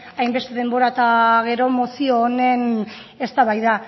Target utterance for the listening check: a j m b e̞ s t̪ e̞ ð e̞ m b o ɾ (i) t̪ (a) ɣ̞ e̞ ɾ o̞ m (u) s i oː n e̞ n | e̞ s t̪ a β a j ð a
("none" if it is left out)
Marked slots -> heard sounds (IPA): a, a, o

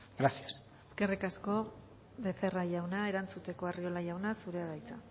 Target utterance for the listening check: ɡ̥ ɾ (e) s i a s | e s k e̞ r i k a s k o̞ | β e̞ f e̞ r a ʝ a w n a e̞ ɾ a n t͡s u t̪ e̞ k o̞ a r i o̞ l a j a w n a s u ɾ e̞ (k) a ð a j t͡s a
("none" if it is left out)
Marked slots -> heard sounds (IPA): a, none

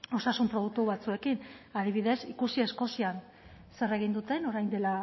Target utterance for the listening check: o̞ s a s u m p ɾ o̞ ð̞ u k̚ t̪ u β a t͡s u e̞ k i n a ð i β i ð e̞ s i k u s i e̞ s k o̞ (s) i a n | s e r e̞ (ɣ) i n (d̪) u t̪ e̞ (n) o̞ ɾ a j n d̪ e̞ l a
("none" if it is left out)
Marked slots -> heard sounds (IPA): s, ɣ, d̪, n

